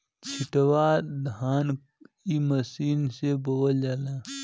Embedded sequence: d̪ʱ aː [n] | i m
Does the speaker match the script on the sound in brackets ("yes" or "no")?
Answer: yes